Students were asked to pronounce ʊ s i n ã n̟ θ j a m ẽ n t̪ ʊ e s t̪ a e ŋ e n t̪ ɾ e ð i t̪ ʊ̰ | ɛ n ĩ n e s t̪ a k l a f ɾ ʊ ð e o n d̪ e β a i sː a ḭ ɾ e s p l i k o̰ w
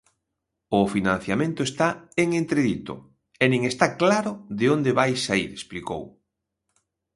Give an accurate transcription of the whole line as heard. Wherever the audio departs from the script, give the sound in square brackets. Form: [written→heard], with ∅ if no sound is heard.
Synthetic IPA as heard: ʊ [s→f] i n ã n̟ θ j a m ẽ n t̪ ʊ e s t̪ a e ŋ e n t̪ ɾ e ð i t̪ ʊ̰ | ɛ n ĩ [n→ŋ] e s t̪ a k l a [f→∅] ɾ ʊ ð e o n d̪ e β a [i→j] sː a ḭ ɾ e s p l i k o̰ w